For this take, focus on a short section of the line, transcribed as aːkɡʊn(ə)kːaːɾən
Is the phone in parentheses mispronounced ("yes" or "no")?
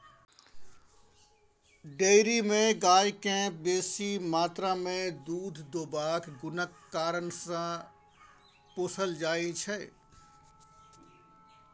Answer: no